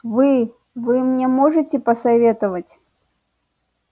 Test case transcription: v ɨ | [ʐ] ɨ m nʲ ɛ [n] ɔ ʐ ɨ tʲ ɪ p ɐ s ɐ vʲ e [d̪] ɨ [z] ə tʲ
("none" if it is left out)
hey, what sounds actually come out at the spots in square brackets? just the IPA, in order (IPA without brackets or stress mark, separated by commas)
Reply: v, m, t̪, v